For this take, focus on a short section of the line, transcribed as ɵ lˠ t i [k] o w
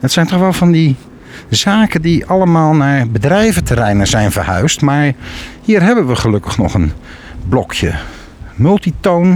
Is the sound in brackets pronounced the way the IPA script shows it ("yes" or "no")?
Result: no